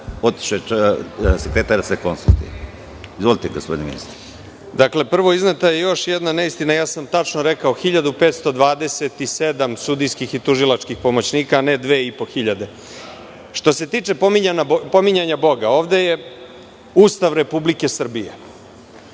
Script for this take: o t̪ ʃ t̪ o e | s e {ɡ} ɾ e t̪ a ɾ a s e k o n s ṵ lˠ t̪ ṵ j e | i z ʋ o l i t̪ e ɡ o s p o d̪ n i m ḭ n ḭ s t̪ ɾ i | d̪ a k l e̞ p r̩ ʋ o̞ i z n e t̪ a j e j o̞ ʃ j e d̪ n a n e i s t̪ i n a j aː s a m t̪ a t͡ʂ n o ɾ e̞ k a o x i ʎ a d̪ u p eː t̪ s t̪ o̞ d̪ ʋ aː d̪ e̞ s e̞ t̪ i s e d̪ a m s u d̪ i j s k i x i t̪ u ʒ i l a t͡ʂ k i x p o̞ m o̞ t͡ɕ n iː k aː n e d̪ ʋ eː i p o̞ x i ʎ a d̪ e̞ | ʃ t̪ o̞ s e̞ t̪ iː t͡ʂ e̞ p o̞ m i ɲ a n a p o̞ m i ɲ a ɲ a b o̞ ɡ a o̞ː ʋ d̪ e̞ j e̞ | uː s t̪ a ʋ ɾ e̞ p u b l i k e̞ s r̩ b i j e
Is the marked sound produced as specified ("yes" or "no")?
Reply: no